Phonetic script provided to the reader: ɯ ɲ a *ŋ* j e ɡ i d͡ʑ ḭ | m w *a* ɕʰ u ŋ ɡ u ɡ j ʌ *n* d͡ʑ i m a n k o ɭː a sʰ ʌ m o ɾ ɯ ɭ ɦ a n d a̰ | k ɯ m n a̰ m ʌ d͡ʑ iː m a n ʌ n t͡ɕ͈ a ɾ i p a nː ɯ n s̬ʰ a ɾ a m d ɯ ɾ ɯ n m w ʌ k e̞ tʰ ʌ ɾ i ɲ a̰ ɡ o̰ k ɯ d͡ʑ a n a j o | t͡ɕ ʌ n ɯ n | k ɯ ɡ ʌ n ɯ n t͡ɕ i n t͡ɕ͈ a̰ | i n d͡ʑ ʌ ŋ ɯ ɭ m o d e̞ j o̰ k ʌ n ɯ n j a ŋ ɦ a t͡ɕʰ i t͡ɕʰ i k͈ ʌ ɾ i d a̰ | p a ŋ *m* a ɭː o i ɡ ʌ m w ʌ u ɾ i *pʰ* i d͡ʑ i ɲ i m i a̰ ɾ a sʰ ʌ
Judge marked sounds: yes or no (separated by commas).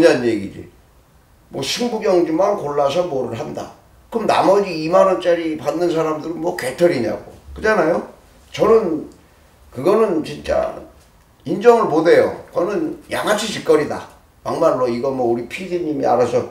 no, no, no, yes, yes